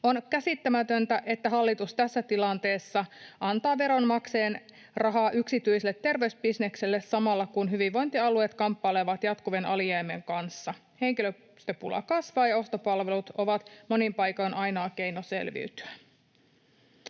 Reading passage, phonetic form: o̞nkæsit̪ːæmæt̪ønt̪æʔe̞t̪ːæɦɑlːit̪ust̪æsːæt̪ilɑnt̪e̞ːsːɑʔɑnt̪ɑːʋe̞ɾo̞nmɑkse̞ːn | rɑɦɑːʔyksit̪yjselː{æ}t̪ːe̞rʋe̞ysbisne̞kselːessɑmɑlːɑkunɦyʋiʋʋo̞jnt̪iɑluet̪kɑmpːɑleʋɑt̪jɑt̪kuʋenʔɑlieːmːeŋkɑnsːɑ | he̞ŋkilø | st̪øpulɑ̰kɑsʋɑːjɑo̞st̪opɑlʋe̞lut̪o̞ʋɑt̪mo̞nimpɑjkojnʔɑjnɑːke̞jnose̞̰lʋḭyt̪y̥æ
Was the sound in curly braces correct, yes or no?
no